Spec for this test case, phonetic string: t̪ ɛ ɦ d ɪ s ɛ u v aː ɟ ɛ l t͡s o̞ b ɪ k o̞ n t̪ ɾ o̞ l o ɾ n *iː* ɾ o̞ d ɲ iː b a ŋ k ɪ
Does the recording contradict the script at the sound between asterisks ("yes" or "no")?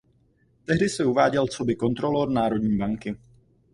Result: yes